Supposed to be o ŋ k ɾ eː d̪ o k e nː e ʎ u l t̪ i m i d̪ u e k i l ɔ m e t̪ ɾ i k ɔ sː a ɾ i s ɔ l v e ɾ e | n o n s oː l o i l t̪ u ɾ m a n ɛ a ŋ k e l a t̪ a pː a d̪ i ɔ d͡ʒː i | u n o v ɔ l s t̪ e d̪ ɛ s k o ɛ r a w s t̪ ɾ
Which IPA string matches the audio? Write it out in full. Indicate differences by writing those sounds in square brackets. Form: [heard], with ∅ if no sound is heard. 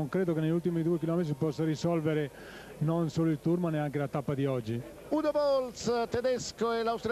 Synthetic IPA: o ŋ k ɾ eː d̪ o k e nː e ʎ u l t̪ i m i d̪ u e k i l ɔ m e t̪ ɾ i [p] ɔ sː a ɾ i s ɔ l v e ɾ e | n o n s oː l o i l t̪ u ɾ m a n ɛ a ŋ k e l a t̪ a pː a d̪ i ɔ d͡ʒː i | u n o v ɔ l s t̪ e d̪ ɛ s k o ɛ [l] a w s t̪ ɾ

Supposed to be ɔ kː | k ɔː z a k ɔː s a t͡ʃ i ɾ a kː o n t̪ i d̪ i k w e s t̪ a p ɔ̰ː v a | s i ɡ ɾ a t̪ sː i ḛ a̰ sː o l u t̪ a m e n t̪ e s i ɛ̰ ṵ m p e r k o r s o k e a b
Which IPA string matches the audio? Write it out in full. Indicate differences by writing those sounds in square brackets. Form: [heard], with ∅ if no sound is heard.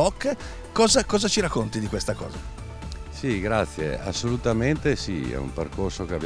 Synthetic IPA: ɔ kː | k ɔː z a k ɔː [z] a t͡ʃ i ɾ a kː o n t̪ i d̪ i k w e s t̪ a [k] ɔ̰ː [z] a | s i ɡ ɾ a t̪ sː [j] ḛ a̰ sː o l u t̪ a m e n t̪ e s i ɛ̰ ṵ m p e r k o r s o k e a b

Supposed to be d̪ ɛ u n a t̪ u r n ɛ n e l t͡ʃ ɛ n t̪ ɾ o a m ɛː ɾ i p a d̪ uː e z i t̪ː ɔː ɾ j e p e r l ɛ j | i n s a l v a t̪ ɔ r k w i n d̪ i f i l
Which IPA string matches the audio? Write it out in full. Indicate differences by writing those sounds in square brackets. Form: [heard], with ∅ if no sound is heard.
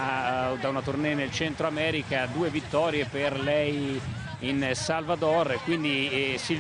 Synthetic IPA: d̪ [a] u n a t̪ u r n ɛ n e l t͡ʃ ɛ n t̪ ɾ o a m ɛː ɾ i [k] a d̪ uː e [v] i t̪ː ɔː ɾ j e p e r l ɛ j | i n s a l v a [d̪] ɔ r k w i n d̪ i [s] i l

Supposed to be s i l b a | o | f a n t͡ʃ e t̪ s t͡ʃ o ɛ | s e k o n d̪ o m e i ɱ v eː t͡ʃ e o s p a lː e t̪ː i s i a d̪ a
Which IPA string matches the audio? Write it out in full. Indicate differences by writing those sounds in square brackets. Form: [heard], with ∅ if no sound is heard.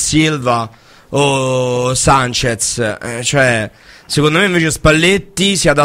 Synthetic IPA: s i l [v] a | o | [s] a n t͡ʃ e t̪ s t͡ʃ o ɛ | s e k o n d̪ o m e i ɱ v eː t͡ʃ e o s p a lː e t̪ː i s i a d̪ a

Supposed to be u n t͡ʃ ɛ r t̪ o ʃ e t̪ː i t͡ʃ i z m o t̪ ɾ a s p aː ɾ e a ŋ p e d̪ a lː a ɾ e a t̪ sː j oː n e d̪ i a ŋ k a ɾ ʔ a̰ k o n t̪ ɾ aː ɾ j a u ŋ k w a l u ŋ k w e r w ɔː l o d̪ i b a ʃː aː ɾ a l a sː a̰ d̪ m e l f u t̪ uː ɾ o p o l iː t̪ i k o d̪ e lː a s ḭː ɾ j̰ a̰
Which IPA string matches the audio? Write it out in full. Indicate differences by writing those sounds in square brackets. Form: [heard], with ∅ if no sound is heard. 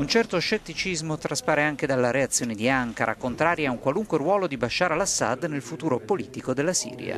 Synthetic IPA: u n t͡ʃ ɛ r t̪ o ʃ e t̪ː i t͡ʃ i z m o t̪ ɾ a s p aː ɾ e a ŋ [k] e d̪ a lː a ɾ e a t̪ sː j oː n e d̪ i a ŋ k a ɾ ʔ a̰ k o n t̪ ɾ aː ɾ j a u ŋ k w a l u ŋ k w e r w ɔː l o d̪ i b a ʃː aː ɾ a l a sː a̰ d̪ [n] e l f u t̪ uː ɾ o p o l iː t̪ i k o d̪ e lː a s ḭː ɾ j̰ a̰

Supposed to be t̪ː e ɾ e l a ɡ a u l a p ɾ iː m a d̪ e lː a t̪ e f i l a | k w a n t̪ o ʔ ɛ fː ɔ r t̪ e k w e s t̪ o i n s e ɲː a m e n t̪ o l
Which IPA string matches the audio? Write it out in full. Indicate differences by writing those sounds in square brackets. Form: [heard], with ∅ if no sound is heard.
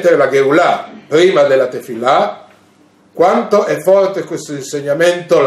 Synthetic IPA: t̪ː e ɾ e l a ɡ [e] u l a p ɾ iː m a d̪ e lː a t̪ e f i l a | k w a n t̪ o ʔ ɛ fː ɔ r t̪ e k w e s t̪ o i n s e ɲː a m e n t̪ o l

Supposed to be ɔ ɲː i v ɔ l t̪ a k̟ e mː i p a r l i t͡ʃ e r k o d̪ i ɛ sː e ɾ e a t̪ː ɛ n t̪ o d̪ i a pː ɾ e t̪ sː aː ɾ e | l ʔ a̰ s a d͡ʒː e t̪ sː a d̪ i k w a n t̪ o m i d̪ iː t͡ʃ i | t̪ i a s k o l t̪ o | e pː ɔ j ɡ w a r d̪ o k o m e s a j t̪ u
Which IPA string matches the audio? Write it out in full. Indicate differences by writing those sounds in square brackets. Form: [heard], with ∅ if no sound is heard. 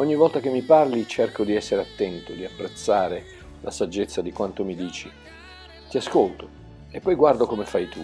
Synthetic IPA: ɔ ɲː i v ɔ l t̪ a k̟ e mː i p a r l i t͡ʃ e r k o d̪ i ɛ sː e ɾ e a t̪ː ɛ n t̪ o d̪ i a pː ɾ e t̪ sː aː ɾ e | l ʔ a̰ s a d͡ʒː e t̪ sː a d̪ i k w a n t̪ o m i d̪ iː t͡ʃ i | t̪ i a s k o l t̪ o | e pː ɔ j ɡ w a r d̪ o k o m e [f] a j t̪ u

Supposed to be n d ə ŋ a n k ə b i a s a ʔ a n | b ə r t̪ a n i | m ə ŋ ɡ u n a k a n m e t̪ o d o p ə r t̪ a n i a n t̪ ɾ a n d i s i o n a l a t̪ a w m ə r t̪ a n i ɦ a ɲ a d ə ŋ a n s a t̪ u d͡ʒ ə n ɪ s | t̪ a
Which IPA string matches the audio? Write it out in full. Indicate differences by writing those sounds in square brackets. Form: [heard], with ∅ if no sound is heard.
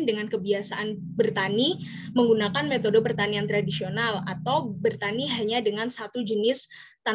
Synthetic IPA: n d ə ŋ a n k ə b i a s a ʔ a n | b ə r t̪ a n i | m ə ŋ ɡ u n a k a n m e t̪ o d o p ə r t̪ a n i a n t̪ ɾ a [∅] d i s i o n a l a t̪ a w [b] ə r t̪ a n i ɦ a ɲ a d ə ŋ a n s a t̪ u d͡ʒ ə n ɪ s | t̪ a

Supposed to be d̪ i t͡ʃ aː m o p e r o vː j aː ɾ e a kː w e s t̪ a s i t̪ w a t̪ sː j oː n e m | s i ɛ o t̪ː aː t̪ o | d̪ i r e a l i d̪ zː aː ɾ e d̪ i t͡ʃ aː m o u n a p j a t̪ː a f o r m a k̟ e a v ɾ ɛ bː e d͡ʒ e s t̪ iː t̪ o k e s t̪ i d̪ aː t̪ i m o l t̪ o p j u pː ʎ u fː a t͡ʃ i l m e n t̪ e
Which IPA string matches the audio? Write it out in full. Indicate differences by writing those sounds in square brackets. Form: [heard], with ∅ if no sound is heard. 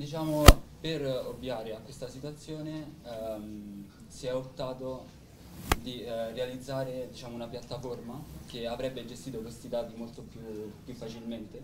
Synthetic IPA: d̪ i t͡ʃ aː m o p e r o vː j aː ɾ e a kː w e s t̪ a s i t̪ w a t̪ sː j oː n e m | s i ɛ o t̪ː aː t̪ o | d̪ i r e a l i d̪ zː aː ɾ e d̪ i t͡ʃ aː m o u n a p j a t̪ː a f o r m a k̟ e a v ɾ ɛ bː e d͡ʒ e s t̪ iː t̪ o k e s t̪ i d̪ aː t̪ i m o l t̪ o p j u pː [j] u fː a t͡ʃ i l m e n t̪ e

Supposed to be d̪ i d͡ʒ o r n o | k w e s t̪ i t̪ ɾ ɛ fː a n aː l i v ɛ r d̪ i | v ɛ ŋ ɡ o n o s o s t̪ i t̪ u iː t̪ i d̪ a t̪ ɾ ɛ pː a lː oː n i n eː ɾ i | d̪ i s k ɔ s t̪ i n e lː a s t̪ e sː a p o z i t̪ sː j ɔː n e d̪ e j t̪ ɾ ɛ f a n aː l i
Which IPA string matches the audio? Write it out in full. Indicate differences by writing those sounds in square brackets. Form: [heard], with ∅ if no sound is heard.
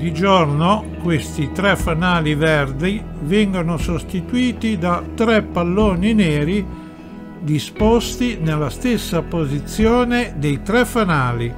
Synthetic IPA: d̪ i d͡ʒ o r n o | k w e s t̪ i t̪ ɾ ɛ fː a n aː l i v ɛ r d̪ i | v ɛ ŋ ɡ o n o s o s t̪ i t̪ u iː t̪ i d̪ a t̪ ɾ ɛ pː a lː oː n i n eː ɾ i | d̪ i s [p] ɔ s t̪ i n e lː a s t̪ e sː a p o z i t̪ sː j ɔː n e d̪ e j t̪ ɾ ɛ f a n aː l i

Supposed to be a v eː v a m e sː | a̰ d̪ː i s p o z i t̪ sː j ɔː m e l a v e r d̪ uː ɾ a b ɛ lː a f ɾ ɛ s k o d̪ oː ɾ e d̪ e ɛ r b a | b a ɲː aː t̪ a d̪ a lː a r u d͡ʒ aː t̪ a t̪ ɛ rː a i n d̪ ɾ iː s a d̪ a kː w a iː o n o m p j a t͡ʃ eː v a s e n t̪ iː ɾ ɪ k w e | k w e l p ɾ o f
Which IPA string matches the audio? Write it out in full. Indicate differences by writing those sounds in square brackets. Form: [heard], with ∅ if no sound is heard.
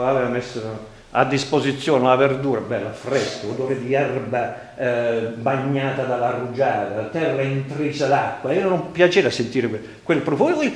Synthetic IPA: a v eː v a m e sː | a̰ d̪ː i s p o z i t̪ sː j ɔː [n] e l a v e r d̪ uː ɾ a b ɛ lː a f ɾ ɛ s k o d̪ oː ɾ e d̪ [i] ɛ r b a | b a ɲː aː t̪ a d̪ a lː a r u d͡ʒ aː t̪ a t̪ ɛ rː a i n [t̪] ɾ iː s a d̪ a kː w a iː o n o m p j a t͡ʃ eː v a s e n t̪ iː ɾ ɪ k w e | k w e l p ɾ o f

